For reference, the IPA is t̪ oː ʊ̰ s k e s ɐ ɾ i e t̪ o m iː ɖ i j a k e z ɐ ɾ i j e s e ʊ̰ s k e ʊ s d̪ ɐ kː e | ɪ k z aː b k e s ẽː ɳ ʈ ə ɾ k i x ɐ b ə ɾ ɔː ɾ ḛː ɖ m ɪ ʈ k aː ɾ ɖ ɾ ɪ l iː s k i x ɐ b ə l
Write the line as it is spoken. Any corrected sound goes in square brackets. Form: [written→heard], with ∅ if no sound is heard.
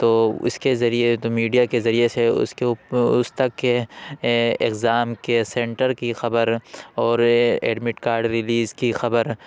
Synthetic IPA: t̪ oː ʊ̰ s k e [s→z] ɐ ɾ i e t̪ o m iː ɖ i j a k e z ɐ ɾ i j e s e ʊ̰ s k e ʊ s [d̪→t̪] ɐ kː e | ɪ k z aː [b→m] k e s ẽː ɳ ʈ ə ɾ k i x ɐ b ə ɾ ɔː ɾ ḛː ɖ m ɪ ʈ k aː ɾ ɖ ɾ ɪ l iː [s→z] k i x ɐ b ə [l→ɾ]